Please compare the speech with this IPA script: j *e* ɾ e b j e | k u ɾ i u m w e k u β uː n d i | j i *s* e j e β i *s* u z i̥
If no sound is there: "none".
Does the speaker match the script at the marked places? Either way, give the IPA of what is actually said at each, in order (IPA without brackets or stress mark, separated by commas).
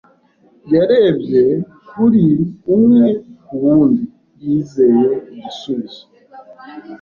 a, z, s